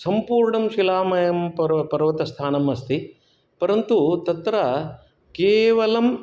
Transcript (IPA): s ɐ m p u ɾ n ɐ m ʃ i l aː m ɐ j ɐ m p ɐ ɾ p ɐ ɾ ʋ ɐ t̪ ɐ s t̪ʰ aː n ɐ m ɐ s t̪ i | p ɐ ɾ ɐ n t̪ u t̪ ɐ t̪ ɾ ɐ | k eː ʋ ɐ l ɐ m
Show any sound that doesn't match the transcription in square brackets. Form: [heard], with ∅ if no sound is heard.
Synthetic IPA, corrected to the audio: s ɐ m p [uː] ɾ [ɳ] ɐ m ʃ i l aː m ɐ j ɐ m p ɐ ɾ p ɐ ɾ ʋ ɐ t̪ ɐ s t̪ʰ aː n ɐ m ɐ s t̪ i | p ɐ ɾ ɐ n t̪ u t̪ ɐ t̪ ɾ ɐ | k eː ʋ ɐ l ɐ m